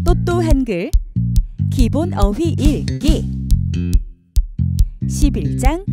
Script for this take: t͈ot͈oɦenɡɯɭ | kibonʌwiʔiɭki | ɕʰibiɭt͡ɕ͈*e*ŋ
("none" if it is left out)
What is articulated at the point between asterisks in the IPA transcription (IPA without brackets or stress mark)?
a